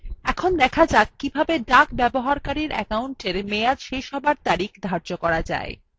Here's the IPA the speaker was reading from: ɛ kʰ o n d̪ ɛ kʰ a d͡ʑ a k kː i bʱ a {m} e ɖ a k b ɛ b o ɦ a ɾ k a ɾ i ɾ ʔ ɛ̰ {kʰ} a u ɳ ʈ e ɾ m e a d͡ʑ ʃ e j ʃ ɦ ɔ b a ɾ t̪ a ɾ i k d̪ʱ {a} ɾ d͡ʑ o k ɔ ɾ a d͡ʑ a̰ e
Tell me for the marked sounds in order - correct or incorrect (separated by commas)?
incorrect, incorrect, correct